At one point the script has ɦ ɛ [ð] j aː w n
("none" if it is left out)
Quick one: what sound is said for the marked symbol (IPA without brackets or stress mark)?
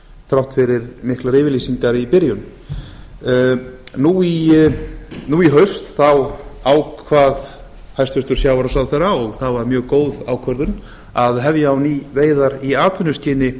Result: v